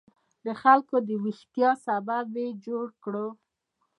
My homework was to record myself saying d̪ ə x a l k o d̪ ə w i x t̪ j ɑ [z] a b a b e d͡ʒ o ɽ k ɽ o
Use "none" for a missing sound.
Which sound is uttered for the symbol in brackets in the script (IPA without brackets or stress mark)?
s